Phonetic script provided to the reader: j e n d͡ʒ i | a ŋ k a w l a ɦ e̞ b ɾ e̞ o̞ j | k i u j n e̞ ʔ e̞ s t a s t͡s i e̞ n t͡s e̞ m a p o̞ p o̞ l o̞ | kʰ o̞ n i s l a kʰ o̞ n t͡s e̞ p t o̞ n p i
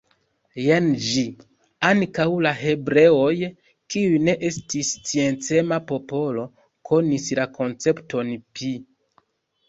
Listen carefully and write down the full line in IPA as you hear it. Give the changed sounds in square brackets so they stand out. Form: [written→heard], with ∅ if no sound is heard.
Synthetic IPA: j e n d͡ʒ i | a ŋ k a w l a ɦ e̞ b ɾ e̞ o̞ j | k i u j n e̞ ʔ e̞ s t [a→i] s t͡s i e̞ n t͡s e̞ m a p o̞ p o̞ l o̞ | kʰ o̞ n i s l a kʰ o̞ n t͡s e̞ p t o̞ n p i